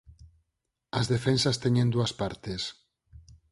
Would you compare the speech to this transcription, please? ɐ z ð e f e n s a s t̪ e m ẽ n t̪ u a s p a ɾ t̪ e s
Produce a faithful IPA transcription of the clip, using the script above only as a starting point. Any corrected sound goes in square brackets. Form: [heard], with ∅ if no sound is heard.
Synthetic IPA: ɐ z ð e f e n s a s t̪ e [ɲ] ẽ n [d̪] u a s p a ɾ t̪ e s